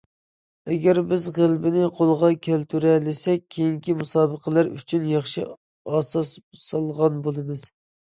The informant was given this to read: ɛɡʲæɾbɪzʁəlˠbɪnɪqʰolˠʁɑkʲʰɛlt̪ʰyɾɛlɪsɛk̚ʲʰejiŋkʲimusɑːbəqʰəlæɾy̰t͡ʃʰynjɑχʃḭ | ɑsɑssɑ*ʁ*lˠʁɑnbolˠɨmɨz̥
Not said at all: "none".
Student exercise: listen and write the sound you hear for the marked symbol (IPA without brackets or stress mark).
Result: none